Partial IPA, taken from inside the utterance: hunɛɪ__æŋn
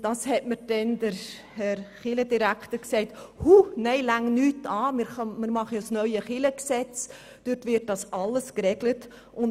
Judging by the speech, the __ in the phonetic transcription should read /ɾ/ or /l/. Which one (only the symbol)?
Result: l